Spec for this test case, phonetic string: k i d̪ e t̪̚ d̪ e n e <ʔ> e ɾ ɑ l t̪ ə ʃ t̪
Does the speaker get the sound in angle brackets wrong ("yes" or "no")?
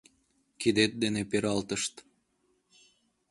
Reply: yes